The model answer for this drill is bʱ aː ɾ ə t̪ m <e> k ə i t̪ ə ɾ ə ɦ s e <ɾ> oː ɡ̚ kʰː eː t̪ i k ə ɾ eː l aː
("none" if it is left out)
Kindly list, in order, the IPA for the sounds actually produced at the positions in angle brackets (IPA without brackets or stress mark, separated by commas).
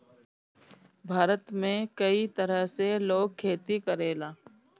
ẽ, l